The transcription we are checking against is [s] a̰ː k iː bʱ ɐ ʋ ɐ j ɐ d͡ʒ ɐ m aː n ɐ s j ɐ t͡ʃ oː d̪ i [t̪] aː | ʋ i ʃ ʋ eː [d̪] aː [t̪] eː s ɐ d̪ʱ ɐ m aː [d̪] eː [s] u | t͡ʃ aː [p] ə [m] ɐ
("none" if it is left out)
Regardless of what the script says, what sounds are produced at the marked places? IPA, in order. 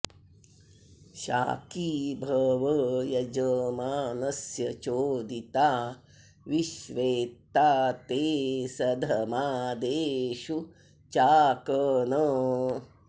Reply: ʃ, t̪, t̪, t̪, d̪, ʃ, k, n

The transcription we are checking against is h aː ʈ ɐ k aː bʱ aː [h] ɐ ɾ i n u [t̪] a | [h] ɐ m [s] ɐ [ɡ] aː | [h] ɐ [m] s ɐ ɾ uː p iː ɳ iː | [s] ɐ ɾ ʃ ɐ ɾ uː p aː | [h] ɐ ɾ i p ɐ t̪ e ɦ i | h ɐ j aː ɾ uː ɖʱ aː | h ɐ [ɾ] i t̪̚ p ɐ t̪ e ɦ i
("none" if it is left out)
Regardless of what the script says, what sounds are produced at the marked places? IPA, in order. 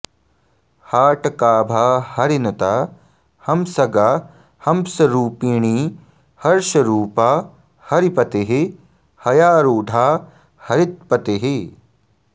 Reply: h, t̪, h, s, ɡ, h, m, h, h, ɾ

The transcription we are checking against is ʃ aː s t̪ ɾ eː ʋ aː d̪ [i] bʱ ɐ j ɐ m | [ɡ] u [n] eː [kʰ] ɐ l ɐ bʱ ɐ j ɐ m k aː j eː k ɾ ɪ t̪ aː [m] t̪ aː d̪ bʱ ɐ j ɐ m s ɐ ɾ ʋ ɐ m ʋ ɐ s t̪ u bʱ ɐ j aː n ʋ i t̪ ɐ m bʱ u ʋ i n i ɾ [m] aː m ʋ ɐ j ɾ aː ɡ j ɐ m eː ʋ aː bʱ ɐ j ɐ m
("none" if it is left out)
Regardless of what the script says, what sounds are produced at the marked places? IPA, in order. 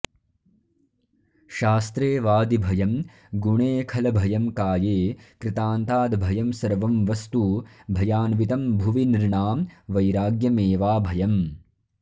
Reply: i, ɡ, ɳ, kʰ, n, ɳ

